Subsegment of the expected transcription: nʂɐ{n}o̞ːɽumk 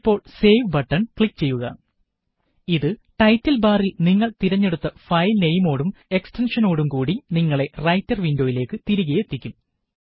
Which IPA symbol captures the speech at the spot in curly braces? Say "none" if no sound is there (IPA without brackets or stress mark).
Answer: n